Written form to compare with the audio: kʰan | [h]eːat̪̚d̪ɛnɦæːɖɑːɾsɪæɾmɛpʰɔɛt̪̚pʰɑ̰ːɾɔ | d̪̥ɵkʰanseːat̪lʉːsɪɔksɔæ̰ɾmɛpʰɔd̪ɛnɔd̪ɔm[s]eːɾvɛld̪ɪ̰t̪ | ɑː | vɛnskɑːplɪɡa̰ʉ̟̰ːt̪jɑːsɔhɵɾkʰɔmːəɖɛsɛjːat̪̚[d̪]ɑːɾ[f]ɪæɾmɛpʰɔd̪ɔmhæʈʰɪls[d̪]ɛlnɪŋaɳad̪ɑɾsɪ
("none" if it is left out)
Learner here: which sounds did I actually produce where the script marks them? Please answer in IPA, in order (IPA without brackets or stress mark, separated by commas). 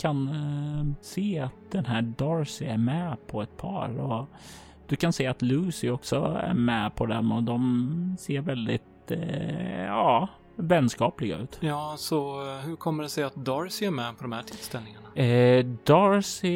s, s, d̪, s, t̪